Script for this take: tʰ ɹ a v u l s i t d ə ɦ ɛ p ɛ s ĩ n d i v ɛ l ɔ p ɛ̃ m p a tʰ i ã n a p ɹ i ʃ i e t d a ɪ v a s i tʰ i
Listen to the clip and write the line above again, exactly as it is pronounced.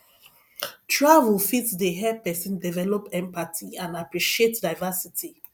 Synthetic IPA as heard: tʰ ɹ a v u l f i t d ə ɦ ɛ p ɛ s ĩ n d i v ɛ l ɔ p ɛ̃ m p a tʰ i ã n a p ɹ i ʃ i e t d a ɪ v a s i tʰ i

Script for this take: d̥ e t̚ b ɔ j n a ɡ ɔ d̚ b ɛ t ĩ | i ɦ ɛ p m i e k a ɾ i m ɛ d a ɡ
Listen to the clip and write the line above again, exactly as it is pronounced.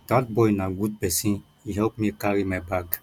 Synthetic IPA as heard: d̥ a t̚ b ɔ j n a ɡ u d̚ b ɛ s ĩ | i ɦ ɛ p m i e k a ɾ i m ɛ b a ɡ

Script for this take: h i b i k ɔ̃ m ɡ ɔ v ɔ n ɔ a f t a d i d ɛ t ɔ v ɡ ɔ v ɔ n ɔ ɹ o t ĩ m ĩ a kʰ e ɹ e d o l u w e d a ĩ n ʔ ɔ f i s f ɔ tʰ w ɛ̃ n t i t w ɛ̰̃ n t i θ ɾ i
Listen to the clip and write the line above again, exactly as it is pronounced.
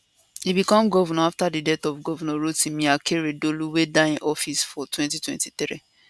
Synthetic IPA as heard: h i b i k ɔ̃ m ɡ ɔ v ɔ n ɔ a f t a d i d ɛ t ɔ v ɡ ɔ v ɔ n ɔ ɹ o t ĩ m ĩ a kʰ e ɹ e d o l u w e d a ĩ n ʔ ɔ f i s f ɔ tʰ w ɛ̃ n t i t w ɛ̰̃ n t i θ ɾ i

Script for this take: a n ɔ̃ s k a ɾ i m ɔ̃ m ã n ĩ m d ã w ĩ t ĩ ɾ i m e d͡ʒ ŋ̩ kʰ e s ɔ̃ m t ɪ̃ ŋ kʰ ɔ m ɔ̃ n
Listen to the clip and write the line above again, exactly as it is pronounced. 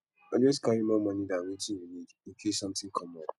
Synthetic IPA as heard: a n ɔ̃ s k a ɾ i m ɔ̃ m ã n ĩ d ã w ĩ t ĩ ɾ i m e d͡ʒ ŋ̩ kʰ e s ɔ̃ m t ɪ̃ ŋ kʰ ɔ m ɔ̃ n

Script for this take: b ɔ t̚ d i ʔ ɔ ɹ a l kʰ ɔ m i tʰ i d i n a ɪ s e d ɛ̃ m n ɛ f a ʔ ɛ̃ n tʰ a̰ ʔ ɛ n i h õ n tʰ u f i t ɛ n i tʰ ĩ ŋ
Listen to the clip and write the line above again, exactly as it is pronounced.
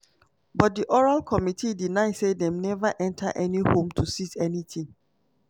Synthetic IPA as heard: b ɔ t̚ d i ʔ ɔ ɹ a l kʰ ɔ m i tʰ i d i n a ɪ s e d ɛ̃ m n ɛ v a ʔ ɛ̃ n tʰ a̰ ʔ ɛ n i h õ m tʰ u s i t ɛ n i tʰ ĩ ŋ

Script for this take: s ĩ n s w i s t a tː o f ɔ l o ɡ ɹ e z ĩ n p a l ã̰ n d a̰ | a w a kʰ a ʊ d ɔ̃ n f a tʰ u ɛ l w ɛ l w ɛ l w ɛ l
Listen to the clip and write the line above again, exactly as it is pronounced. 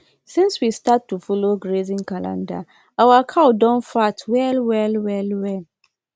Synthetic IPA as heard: s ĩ n s w i s t a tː u f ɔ l o ɡ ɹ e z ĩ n k a l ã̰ n d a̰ | a w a kʰ a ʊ d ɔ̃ n f a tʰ w ɛ l w ɛ l w ɛ l w ɛ l

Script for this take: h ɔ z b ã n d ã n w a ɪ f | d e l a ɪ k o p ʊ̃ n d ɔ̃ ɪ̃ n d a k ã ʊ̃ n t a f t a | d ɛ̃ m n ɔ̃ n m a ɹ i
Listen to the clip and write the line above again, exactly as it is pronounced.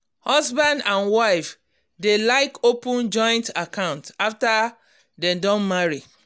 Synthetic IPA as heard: h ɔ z b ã n d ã n w a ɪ f | d e l a ɪ k o p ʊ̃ n d͡ʒ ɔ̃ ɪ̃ n t a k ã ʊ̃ n t a f t a | d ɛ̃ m d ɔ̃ n m a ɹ i

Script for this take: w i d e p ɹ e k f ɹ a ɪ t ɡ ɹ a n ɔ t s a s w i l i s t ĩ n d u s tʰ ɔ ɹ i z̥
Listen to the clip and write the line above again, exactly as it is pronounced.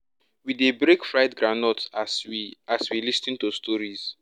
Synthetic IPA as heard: w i d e b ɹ e k f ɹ a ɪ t ɡ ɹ a n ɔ t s a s w i l i s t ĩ n t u s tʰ ɔ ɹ i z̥

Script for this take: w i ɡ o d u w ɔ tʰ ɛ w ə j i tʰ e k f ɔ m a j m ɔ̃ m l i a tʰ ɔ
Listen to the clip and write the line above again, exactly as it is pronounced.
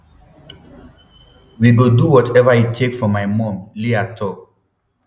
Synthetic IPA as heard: w i ɡ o d u w ɔ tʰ ɛ v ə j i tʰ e k f ɔ m a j m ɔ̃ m l i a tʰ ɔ

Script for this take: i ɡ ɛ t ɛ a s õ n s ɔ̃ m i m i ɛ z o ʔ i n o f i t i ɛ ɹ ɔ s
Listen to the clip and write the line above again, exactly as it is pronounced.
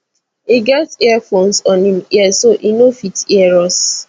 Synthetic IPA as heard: i ɡ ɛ t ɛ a f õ n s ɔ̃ n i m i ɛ s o ʔ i n o f i t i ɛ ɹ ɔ s

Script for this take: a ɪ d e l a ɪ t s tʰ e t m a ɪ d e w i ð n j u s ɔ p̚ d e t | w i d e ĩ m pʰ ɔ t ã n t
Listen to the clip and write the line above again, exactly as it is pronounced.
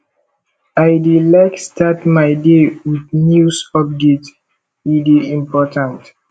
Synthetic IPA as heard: a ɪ d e l a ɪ k s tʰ a t m a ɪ d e w i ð n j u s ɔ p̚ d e t | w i d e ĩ m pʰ ɔ t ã n t

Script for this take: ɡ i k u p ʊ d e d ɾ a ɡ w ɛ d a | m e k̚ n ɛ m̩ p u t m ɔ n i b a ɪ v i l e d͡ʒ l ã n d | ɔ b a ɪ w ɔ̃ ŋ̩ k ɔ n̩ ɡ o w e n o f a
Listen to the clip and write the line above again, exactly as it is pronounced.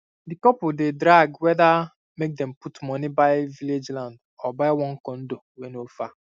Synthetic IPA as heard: d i k ɔ p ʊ d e d ɾ a ɡ w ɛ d a | m e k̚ d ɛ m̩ p u t m ɔ n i b a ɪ v i l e d͡ʒ l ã n d | ɔ b a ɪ w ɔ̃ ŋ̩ k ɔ n̩ d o w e n o f a

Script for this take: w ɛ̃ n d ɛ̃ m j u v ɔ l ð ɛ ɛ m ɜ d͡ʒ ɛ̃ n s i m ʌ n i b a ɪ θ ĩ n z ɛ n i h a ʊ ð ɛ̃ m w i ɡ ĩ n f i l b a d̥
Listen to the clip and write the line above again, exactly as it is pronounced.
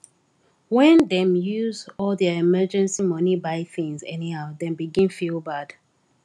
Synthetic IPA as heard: w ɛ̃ n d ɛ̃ m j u z ɔ l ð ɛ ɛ m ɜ d͡ʒ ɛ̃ n s i m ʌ n i b a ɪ θ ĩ ŋ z ɛ n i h a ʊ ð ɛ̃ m b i ɡ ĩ n f i l b a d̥

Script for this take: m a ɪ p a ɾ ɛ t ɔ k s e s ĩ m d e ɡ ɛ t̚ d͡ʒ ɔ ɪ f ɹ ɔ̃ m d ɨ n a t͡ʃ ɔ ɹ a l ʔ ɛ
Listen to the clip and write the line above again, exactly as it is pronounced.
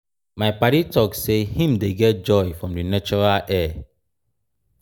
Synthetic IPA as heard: m a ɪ p a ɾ i t ɔ k s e h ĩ m d e ɡ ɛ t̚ d͡ʒ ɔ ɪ f ɹ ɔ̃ m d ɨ n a t͡ʃ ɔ ɹ a l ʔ ɛ

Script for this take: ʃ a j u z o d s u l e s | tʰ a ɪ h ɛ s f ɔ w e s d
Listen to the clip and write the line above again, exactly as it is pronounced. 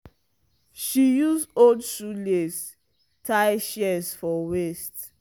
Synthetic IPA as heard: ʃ i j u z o d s u l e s | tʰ a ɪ ʃ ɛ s f ɔ w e s t

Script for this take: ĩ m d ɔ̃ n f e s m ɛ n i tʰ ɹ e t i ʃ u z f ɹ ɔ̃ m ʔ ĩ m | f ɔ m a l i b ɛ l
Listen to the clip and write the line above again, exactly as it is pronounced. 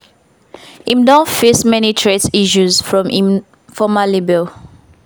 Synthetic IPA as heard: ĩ m d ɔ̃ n f e s m ɛ n i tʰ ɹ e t i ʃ u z f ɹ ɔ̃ m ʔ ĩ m | f ɔ m a l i b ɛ l

